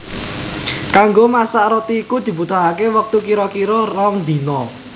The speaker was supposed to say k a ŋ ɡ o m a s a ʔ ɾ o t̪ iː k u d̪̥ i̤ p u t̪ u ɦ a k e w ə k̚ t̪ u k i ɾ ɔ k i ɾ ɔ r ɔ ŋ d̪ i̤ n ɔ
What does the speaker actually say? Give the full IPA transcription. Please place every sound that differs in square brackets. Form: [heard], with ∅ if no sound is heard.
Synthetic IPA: k a ŋ ɡ o m a s a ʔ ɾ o t̪ iː k u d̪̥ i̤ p u t̪ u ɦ a k e w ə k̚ t̪ u k i ɾ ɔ k i ɾ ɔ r ɔ ŋ d̪ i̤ n ɔ